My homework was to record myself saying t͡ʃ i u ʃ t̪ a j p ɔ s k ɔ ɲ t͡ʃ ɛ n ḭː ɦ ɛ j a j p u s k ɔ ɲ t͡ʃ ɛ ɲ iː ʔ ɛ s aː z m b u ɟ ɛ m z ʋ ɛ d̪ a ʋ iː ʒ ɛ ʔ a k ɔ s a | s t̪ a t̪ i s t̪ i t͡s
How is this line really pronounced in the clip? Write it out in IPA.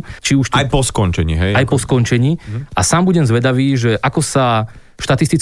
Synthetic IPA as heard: t͡ʃ i u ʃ t̪ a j p ɔ s k ɔ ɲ t͡ʃ ɛ ɲ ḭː ɦ ɛ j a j p ɔ s k ɔ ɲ t͡ʃ ɛ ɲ iː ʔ a s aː m b u ɟ ɛ m z ʋ ɛ d̪ a ʋ iː ʒ ɛ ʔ a k ɔ s a | ʃ t̪ a t̪ i s t̪ i t͡s